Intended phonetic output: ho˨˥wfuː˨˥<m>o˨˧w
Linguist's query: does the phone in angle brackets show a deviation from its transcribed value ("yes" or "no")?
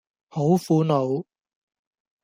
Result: yes